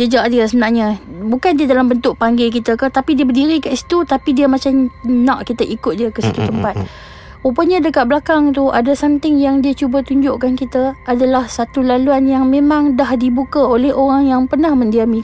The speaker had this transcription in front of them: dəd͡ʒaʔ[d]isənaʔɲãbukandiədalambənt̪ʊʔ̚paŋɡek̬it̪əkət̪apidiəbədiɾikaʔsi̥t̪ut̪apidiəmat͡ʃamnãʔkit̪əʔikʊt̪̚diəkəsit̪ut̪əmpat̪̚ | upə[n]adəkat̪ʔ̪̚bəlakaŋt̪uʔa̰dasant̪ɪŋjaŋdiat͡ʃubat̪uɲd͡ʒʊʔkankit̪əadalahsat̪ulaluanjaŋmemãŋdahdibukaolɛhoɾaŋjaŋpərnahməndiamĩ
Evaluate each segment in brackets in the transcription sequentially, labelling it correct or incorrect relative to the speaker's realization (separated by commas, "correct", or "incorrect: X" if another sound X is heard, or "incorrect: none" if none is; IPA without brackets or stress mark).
correct, incorrect: ɲ